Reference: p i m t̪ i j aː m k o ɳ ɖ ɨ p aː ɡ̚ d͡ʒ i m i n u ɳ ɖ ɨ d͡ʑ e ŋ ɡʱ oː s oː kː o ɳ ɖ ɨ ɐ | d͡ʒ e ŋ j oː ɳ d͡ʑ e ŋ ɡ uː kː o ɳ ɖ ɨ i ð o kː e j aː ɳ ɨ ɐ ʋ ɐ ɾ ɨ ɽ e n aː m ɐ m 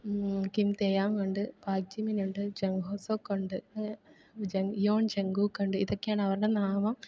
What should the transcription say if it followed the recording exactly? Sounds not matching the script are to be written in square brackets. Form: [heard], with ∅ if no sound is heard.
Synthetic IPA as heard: [k] i m t̪ [e] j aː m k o ɳ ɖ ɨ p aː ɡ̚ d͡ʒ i m i n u ɳ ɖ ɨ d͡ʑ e ŋ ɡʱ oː s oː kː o ɳ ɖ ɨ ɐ | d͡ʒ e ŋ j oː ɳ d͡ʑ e ŋ ɡ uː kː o ɳ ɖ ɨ i ð o kː e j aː ɳ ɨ ɐ ʋ ɐ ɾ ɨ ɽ e n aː m ɐ m